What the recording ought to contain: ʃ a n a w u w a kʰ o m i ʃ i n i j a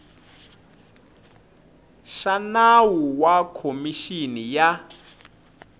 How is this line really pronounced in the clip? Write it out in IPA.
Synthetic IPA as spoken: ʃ a n a w u w a kʰ o m i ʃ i n i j a

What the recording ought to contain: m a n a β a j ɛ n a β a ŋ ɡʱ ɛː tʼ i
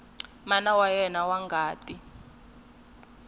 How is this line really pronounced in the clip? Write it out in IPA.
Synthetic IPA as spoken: m a n a w a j ɛ n a w a ŋ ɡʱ aː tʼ i

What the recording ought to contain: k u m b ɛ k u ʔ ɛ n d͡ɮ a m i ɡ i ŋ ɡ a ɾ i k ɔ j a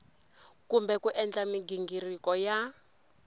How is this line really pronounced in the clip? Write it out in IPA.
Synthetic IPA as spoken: k u m b ɛ k u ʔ ɛ n d͡ɮ a m i ɡ i ŋ ɡ i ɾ i k ɔ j a

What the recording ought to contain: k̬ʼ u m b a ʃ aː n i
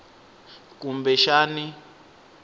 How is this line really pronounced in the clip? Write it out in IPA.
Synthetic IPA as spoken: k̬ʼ u m b ɛ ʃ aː n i

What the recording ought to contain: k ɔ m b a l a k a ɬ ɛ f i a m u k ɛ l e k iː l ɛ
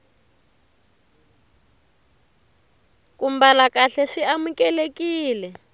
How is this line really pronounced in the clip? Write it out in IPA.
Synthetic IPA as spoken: k u m b a l a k a ɬ ɛ ʂ i a m u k ɛ l e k iː l ɛ

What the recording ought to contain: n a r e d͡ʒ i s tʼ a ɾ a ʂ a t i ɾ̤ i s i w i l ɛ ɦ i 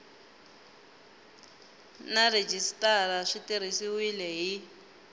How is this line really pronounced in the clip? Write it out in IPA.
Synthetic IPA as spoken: n a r e d͡ʒ i s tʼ a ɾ a ʂ i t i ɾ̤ i s i w i l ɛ ɦ i

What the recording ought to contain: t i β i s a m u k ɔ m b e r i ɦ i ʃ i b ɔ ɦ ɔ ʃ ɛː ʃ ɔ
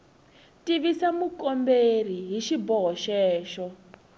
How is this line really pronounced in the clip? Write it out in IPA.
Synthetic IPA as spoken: t i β i s a m u k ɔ m b e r i ɦ i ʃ i b ɔ ɦ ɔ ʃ ɛː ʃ ɔ

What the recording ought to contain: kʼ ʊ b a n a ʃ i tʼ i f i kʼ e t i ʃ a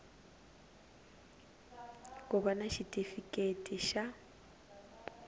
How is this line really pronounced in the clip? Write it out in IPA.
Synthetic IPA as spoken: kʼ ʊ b a n a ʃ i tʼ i f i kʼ e tʼ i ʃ a

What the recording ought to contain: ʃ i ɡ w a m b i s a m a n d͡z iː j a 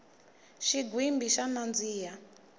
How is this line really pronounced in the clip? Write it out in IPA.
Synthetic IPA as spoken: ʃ i ɡ w i m b i ʃ a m a n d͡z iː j a

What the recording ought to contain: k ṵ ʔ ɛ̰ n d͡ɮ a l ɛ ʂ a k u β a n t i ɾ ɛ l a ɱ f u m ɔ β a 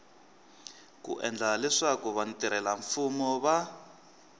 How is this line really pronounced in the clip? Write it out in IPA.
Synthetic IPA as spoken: k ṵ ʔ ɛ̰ n d͡ɮ a l ɛ ʂ a k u β a n t i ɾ ɛ l a ɱ f u m ɔ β a

